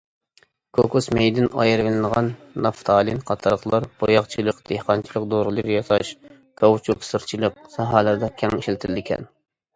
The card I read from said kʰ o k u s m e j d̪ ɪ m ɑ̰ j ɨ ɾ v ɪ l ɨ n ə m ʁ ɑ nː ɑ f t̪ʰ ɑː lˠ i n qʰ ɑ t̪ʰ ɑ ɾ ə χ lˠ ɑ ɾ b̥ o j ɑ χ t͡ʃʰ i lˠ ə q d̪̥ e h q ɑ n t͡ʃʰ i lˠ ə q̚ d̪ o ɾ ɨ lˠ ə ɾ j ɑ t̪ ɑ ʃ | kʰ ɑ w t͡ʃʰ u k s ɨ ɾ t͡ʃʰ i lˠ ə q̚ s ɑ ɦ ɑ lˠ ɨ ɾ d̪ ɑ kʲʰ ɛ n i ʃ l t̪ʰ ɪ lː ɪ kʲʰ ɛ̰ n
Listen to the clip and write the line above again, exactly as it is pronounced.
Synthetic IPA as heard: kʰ o k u s m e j d̪ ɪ n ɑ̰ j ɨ ɾ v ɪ l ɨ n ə ʁ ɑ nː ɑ f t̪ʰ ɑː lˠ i n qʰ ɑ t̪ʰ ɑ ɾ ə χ lˠ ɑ ɾ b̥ o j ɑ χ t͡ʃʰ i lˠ ə q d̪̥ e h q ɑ n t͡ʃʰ i lˠ ə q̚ d̪ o ɾ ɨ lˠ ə ɾ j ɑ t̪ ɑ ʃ | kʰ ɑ w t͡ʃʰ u k s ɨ ɾ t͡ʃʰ i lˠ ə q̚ s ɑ ɦ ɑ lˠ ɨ ɾ d̪ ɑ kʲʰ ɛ ŋ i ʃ l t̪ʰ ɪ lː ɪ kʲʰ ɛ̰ n